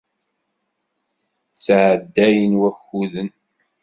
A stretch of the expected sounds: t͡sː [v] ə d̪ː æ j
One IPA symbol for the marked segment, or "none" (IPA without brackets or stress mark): ʕ